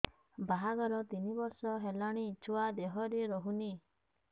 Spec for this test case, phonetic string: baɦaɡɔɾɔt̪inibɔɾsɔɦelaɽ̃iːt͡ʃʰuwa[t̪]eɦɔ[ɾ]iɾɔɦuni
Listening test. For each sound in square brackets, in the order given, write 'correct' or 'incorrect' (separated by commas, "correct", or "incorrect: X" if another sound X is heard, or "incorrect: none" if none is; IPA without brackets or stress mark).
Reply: incorrect: d̪, correct